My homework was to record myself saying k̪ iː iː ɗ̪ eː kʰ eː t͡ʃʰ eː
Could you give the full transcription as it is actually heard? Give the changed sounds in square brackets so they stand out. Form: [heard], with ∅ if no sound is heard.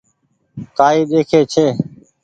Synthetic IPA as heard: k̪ [aː] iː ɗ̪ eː kʰ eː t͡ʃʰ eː